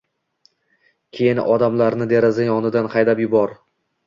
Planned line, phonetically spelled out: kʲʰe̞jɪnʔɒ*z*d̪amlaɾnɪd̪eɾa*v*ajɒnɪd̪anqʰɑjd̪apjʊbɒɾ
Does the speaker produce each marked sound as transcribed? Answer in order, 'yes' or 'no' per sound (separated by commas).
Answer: no, no